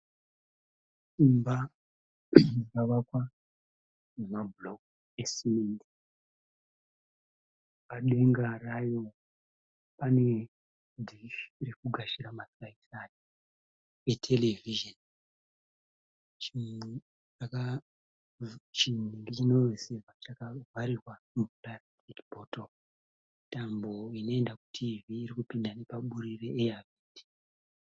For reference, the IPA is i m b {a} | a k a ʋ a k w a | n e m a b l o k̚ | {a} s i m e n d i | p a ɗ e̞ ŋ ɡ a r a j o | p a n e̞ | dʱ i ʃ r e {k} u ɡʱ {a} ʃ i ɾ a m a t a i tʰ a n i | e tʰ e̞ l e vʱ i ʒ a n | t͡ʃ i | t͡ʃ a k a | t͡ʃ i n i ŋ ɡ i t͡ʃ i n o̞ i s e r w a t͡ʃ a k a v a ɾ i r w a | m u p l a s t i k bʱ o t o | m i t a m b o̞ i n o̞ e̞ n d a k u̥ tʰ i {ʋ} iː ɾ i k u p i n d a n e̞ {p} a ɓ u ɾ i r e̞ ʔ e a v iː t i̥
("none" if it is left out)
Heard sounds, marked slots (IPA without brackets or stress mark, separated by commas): a, e, k, a, v, p